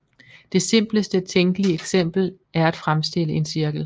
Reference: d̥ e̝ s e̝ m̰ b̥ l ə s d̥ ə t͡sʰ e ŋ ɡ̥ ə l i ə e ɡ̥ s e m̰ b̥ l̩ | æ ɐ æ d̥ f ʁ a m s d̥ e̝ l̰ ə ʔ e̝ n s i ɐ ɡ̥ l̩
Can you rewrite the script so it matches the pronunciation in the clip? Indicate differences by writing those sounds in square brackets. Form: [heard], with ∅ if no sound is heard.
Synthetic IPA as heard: d̥ e̝ s e̝ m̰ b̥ l ə s d̥ ə t͡sʰ e ŋ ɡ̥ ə l i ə e ɡ̥ s e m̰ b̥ l̩ | æ ɐ æ d̥ f ʁ a m s d̥ e̝ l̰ ə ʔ e̝ n s i ɐ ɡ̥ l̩